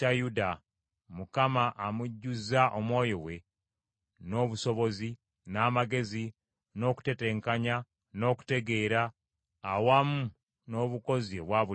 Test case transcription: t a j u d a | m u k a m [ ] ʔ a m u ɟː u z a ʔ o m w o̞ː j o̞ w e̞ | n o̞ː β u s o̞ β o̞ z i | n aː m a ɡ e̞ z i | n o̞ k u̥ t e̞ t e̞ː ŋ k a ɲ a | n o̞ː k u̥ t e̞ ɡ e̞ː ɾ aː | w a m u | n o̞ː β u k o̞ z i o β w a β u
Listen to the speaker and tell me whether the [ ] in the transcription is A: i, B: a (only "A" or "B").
B